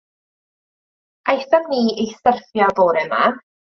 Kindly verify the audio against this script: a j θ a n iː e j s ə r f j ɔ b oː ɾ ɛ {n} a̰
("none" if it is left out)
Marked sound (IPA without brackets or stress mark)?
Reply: m